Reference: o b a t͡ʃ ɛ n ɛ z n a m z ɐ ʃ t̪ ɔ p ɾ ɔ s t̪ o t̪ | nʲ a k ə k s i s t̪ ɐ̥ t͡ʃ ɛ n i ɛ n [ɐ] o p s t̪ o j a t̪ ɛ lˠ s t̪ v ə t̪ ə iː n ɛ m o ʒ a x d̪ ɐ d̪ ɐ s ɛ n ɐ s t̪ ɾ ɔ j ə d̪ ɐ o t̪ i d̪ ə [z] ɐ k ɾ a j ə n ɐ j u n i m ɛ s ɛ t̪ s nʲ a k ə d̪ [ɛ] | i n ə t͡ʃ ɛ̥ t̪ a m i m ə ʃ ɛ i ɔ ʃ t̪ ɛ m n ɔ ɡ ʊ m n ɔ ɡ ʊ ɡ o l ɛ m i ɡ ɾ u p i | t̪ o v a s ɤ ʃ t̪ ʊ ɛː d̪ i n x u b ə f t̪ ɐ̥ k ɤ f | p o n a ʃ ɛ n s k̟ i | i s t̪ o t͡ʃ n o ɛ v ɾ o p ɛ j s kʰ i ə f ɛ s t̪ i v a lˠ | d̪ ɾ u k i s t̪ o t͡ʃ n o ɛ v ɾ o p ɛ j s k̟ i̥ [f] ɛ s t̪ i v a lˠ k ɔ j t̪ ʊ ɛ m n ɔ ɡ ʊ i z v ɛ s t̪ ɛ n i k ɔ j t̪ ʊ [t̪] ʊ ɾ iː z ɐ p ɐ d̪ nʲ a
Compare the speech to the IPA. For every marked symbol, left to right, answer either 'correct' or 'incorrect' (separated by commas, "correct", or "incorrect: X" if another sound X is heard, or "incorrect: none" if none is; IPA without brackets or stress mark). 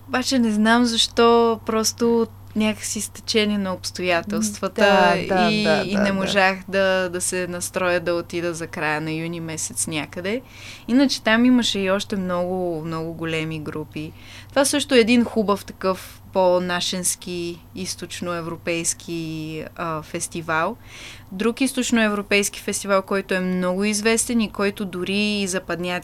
correct, correct, correct, correct, incorrect: d̪